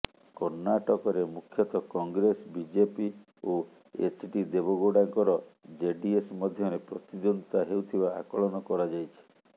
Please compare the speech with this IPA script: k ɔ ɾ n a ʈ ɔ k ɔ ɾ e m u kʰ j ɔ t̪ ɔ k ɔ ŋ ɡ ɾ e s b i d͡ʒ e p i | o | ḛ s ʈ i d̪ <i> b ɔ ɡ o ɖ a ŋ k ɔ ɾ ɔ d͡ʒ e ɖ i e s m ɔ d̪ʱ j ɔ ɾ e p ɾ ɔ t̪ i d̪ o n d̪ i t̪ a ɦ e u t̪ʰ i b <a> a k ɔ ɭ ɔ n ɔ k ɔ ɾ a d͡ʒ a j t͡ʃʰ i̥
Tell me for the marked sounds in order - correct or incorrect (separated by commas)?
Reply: incorrect, correct